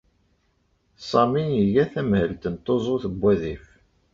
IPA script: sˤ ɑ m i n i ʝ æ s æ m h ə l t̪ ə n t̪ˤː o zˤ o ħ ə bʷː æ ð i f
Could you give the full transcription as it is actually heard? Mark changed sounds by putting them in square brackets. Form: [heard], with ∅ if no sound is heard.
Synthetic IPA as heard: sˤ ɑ m i n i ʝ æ [θ] æ m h ə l t̪ ə n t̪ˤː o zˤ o [θ] ə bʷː æ ð i f